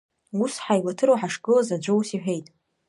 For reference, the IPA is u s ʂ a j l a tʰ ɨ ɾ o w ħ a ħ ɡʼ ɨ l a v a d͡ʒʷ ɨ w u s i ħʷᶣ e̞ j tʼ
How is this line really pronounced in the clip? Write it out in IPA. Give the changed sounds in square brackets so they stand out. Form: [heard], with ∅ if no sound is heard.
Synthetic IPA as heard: u s [ħ] a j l a tʰ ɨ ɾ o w ħ a [ʂ] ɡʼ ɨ l a [z] a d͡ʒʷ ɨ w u s i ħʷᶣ e̞ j tʼ